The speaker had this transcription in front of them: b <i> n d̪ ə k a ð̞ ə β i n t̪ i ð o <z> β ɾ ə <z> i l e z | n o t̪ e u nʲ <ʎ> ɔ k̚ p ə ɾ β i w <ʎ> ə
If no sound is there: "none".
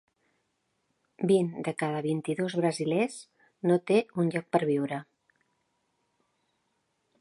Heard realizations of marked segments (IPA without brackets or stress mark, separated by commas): i, z, z, ʎ, ɾ